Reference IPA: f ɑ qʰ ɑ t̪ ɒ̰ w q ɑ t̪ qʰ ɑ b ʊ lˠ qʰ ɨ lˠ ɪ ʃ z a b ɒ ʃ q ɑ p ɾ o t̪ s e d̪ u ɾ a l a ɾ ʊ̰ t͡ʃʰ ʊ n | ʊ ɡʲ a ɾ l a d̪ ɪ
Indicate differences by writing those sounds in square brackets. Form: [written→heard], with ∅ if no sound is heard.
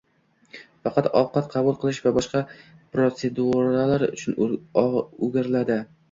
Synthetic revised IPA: f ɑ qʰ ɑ t̪ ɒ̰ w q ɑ t̪ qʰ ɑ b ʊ lˠ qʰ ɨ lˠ ɪ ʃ [z→v] a b ɒ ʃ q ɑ p ɾ o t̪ s e d̪ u ɾ a l a ɾ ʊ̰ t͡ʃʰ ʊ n | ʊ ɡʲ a ɾ l a d̪ ɪ

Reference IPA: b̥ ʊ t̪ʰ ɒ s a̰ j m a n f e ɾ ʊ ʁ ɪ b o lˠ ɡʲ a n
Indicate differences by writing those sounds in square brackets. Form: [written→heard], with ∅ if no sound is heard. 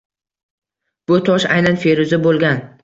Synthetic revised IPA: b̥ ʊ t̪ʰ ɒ [s→ʃ] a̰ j [m→n] a n f e ɾ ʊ [ʁ→z] ɪ b o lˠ ɡʲ a n

